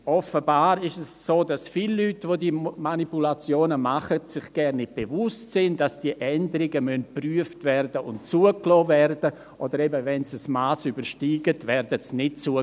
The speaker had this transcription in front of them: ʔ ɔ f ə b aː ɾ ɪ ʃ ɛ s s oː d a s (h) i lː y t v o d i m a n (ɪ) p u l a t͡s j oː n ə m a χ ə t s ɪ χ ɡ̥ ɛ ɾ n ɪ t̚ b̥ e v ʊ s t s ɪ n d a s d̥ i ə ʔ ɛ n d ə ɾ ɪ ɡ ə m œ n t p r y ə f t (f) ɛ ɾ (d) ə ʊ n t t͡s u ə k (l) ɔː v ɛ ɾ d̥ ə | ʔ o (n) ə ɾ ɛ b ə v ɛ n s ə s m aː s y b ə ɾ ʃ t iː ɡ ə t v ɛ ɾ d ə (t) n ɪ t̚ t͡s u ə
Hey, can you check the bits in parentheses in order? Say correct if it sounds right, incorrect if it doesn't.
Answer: incorrect: f, incorrect: i, incorrect: v, correct, correct, incorrect: d, incorrect: s

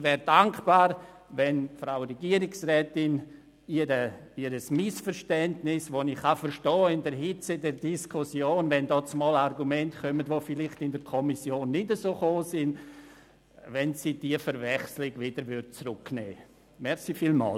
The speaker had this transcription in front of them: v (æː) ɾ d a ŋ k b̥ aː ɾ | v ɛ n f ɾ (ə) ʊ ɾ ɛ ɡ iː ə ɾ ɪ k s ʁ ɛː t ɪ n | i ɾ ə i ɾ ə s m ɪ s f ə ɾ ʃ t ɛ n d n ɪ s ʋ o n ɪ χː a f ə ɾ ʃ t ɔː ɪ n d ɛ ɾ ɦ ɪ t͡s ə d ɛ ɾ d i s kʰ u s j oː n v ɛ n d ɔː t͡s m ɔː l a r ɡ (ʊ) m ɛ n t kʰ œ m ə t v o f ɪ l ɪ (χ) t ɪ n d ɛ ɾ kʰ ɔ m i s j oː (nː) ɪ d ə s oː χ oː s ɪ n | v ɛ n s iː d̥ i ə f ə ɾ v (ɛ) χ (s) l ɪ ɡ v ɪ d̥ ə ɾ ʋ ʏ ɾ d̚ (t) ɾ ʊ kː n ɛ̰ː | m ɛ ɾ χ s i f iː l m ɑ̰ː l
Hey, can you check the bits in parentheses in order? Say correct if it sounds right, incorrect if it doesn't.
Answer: incorrect: ɛː, incorrect: a, incorrect: u, correct, correct, correct, correct, incorrect: t͡s

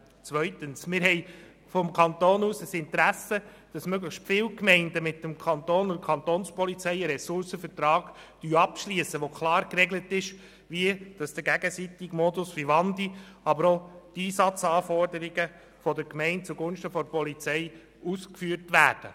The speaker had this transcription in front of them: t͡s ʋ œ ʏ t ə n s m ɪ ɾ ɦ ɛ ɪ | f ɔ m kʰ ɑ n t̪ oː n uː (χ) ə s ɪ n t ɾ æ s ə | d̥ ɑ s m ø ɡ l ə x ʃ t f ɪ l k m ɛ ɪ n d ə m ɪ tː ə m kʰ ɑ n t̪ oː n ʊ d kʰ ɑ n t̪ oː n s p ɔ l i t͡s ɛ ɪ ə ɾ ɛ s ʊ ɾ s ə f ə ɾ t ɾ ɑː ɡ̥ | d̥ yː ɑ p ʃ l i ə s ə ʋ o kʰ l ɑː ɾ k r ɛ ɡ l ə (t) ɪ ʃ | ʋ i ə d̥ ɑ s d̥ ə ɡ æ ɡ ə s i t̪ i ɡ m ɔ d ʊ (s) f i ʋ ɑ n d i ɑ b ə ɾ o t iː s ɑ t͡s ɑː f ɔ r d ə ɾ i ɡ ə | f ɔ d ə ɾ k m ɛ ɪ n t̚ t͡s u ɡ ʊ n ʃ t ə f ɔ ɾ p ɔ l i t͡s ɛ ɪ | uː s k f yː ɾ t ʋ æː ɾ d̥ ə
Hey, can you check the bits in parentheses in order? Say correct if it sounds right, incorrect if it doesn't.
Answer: incorrect: s, correct, correct

